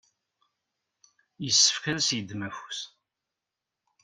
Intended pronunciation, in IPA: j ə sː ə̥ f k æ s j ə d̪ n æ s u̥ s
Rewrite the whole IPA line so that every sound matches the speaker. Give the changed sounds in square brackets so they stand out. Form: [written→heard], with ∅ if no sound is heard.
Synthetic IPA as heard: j ə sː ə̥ f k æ s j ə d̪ [n→m] æ [s→f] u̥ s